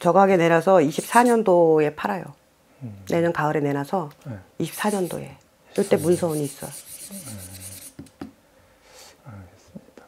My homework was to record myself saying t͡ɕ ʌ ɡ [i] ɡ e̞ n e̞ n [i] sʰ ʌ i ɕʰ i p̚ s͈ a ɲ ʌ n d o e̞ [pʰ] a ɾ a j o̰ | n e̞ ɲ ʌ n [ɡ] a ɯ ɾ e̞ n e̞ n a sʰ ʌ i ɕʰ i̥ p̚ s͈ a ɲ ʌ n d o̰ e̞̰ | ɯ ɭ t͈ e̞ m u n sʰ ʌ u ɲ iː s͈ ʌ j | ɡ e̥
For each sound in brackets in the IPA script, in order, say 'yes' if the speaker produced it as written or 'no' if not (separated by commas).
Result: no, no, yes, no